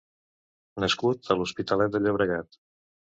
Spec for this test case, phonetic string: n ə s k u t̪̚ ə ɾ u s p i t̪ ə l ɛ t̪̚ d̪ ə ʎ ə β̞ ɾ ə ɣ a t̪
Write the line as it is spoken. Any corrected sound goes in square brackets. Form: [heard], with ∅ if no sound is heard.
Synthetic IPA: n ə s k u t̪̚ ə [l] u s p i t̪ ə l ɛ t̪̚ d̪ ə ʎ ə β̞ ɾ ə ɣ a t̪